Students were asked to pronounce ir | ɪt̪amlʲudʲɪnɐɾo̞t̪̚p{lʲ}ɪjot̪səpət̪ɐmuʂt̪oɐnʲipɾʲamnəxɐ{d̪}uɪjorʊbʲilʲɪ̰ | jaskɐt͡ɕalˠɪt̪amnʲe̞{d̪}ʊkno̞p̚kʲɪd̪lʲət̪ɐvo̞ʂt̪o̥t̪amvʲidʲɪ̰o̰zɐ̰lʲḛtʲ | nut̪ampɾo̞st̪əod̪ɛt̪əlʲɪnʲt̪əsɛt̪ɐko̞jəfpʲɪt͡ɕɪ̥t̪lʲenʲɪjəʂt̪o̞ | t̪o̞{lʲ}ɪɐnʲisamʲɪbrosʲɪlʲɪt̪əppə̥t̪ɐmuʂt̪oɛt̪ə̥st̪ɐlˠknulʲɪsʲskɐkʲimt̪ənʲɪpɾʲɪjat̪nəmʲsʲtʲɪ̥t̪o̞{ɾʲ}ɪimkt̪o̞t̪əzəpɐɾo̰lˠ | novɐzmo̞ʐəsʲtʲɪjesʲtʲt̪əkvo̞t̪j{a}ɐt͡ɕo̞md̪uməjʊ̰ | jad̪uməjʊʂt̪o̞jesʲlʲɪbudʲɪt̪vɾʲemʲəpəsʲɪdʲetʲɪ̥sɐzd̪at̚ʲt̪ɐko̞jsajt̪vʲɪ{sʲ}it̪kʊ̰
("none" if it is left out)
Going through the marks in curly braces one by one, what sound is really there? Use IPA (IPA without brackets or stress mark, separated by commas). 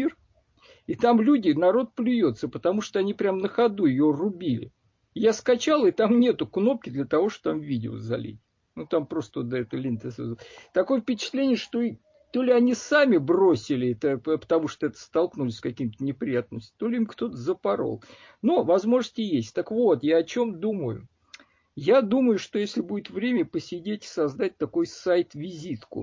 lʲ, d̪, t̪, lʲ, lʲ, a, zʲ